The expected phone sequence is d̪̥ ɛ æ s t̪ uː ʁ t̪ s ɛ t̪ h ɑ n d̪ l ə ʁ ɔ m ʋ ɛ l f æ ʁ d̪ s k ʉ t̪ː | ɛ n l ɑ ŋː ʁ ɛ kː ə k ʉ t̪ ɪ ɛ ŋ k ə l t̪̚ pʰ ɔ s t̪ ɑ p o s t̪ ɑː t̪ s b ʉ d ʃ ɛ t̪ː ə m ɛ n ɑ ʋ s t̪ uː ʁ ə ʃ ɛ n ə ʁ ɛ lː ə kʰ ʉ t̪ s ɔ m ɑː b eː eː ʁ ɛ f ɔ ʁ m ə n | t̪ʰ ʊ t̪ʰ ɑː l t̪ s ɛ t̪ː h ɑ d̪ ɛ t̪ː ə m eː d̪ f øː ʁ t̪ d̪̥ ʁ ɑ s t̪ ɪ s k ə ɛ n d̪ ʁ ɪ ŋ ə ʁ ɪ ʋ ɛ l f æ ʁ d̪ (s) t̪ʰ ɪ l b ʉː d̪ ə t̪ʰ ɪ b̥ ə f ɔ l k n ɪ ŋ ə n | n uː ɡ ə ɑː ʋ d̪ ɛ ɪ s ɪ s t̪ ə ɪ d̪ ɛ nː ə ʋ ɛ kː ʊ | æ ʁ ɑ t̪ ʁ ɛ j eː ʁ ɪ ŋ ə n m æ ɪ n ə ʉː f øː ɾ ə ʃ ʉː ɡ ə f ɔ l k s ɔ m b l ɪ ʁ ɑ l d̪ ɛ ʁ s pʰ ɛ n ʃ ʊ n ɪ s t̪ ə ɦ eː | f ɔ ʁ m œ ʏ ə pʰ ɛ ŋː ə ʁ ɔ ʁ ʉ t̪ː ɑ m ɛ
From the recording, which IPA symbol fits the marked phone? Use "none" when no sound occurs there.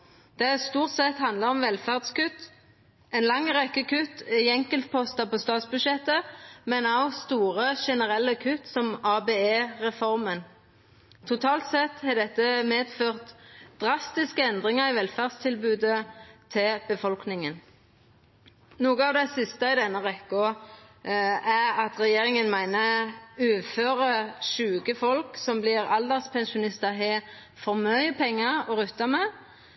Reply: s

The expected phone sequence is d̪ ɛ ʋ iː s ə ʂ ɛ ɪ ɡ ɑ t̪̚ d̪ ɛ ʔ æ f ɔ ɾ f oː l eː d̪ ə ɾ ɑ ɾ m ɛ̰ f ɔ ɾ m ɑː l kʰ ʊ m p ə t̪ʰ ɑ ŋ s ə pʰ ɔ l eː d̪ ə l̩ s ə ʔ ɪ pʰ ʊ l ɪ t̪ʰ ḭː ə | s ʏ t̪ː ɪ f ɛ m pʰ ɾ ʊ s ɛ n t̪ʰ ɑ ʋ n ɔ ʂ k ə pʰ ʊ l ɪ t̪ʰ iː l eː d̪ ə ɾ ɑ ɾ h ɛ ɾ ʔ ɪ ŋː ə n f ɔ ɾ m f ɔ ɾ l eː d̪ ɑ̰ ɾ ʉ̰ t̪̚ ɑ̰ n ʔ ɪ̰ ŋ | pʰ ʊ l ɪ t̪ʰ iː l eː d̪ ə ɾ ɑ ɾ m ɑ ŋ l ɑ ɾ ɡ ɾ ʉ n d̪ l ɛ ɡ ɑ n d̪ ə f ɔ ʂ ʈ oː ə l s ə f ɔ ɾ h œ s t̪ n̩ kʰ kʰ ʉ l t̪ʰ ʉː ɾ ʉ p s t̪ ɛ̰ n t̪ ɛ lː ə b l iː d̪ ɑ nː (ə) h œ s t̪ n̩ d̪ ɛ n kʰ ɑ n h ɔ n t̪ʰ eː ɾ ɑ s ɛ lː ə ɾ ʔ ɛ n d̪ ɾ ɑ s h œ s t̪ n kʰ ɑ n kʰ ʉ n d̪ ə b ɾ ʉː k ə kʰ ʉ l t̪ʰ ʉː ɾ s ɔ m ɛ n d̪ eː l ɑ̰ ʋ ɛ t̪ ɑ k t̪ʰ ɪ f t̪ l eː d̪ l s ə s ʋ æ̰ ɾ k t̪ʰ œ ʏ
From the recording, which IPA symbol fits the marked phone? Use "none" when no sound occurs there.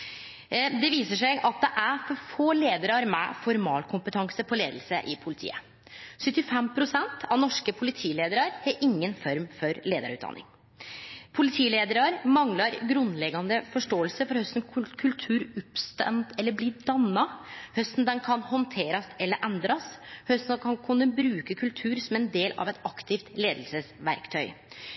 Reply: ɑ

